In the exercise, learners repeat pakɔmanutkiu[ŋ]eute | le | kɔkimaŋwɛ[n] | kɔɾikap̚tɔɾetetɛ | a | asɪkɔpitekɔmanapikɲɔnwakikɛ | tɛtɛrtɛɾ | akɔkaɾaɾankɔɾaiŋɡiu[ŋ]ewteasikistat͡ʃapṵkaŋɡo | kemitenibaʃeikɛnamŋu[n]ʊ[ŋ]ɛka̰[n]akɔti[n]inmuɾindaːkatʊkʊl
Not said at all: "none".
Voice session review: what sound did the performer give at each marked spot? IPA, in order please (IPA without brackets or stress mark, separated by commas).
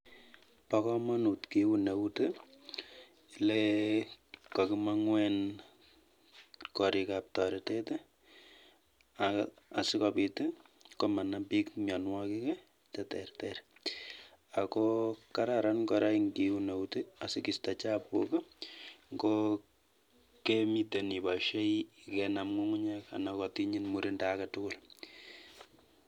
n, n, n, ŋ, ɲ, n, ɲ